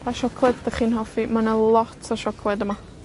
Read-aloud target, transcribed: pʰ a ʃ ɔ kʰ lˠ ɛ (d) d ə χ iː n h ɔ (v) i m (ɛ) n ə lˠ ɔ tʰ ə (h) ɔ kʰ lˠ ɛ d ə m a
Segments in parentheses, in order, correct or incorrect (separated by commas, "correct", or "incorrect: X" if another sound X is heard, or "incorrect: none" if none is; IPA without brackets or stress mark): correct, incorrect: f, incorrect: a, incorrect: ʃ